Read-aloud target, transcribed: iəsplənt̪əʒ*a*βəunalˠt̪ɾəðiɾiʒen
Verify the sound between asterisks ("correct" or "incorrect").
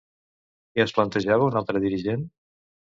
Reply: correct